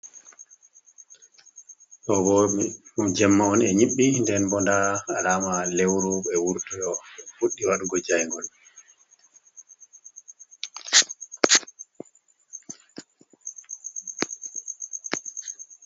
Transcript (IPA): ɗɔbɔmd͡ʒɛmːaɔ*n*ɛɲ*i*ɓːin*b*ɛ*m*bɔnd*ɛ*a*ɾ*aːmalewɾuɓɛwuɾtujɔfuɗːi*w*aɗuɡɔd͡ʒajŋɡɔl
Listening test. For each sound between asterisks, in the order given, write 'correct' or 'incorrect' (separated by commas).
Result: correct, correct, incorrect, incorrect, incorrect, incorrect, correct